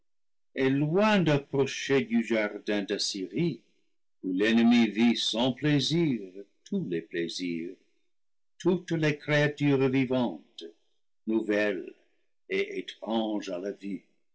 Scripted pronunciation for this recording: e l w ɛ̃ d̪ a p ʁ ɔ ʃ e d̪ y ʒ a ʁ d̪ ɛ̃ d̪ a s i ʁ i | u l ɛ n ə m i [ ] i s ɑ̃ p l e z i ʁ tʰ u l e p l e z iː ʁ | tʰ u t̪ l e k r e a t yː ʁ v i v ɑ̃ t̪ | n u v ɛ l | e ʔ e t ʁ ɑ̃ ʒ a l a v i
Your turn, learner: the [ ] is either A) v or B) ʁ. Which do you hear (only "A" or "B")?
A